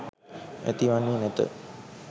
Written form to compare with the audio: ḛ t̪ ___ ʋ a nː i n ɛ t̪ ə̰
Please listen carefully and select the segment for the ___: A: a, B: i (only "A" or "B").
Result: B